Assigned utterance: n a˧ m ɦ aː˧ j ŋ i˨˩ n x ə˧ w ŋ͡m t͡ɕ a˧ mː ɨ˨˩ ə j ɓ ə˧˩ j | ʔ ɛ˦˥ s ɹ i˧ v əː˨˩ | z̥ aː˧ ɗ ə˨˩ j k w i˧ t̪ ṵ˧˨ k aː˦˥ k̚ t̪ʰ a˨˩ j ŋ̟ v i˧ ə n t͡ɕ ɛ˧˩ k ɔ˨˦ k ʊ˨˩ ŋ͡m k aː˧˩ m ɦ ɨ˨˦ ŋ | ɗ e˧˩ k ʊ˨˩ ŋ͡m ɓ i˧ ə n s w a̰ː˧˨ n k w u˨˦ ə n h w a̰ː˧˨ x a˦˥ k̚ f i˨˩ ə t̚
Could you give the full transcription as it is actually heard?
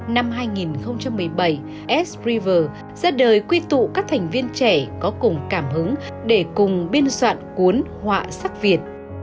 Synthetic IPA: n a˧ m ɦ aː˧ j ŋ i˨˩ n x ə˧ w ŋ͡m t͡ɕ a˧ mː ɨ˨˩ ə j ɓ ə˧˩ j | ʔ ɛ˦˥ s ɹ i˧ v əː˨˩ | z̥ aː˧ ɗ əː˨˩ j k w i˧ t̪ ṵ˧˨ k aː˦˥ k̚ t̪ʰ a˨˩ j ŋ̟ v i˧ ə n t͡ɕ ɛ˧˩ k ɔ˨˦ k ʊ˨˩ ŋ͡m k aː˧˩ m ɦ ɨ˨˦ ŋ | ɗ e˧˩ k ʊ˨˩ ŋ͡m ɓ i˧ ə n s w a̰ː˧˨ n k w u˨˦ ə n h w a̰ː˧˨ s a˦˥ k̚ v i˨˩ ə t̚